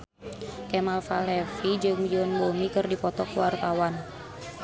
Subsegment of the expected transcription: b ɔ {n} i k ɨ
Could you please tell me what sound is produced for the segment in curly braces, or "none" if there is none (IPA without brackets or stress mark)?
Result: m